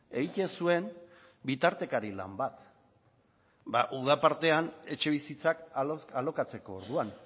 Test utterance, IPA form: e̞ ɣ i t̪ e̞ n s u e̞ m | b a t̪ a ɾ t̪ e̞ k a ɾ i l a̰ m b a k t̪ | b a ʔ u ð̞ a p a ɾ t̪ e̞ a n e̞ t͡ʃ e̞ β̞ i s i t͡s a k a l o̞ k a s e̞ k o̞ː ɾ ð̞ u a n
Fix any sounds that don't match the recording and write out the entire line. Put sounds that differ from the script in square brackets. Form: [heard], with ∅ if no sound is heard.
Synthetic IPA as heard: e̞ ɣ i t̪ e̞ n s u e̞ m | b [i] t̪ a ɾ t̪ e̞ k a ɾ i l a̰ m b a [∅] t̪ | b a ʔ u ð̞ a p a ɾ t̪ e̞ a n e̞ t͡ʃ e̞ β̞ i s i t͡s a k a l o̞ k a [t͡s] e̞ k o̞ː ɾ ð̞ u a n